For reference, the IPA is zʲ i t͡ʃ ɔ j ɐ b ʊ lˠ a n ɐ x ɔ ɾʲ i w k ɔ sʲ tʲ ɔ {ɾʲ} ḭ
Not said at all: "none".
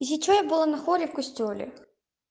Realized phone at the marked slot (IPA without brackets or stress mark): lʲ